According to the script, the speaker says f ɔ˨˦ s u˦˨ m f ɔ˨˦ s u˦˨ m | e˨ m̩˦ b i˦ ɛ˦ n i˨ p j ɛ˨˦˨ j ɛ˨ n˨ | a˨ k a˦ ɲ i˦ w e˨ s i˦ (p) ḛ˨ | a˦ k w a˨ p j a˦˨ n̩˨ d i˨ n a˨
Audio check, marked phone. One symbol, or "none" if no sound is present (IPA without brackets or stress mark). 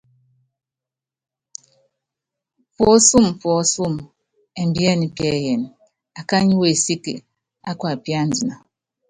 k